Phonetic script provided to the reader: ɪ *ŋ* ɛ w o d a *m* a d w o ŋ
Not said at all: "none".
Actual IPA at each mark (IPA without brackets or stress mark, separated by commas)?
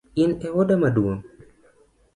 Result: n, m